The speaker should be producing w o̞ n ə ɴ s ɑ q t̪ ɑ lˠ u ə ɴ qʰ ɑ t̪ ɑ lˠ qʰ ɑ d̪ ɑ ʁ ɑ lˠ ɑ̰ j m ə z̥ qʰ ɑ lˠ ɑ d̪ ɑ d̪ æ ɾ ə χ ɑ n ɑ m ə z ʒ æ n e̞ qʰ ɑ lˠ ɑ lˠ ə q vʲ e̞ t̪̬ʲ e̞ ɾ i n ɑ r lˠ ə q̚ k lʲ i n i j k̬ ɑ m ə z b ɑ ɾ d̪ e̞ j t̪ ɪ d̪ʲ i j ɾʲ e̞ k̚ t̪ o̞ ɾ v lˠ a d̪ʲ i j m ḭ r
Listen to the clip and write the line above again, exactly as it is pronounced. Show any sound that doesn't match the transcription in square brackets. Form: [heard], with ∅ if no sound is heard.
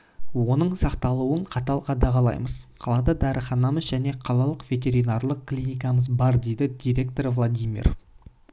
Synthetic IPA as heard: w o̞ n ə ɴ s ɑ q t̪ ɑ lˠ u ə ɴ qʰ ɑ t̪ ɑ lˠ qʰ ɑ d̪ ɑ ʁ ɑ lˠ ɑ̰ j m ə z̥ qʰ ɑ lˠ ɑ d̪ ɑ d̪ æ ɾ ə χ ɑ n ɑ m ə z ʒ æ n e̞ qʰ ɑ lˠ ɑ lˠ ə q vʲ e̞ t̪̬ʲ e̞ ɾ i n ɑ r lˠ ə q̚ k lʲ i n i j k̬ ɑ m ə z b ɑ ɾ d̪ e̞ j [d̪] ɪ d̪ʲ i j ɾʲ e̞ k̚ t̪ o̞ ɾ v lˠ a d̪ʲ i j m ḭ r